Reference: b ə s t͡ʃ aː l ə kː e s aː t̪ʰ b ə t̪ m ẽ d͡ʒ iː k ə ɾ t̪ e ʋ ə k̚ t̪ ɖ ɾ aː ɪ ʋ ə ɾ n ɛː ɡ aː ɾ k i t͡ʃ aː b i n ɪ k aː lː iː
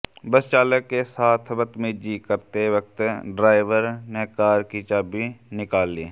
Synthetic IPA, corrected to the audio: b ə s t͡ʃ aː l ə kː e s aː t̪ʰ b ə t̪ m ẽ d͡ʒ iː k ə ɾ t̪ e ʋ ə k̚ t̪ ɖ ɾ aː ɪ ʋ ə ɾ n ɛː k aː ɾ k i t͡ʃ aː b i n ɪ k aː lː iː